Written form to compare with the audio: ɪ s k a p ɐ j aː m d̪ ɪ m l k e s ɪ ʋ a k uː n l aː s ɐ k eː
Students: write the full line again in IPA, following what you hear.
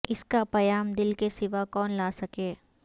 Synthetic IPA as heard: ɪ s k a p ɐ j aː m d̪ ɪ l k e s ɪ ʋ a k ɔː n l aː s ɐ k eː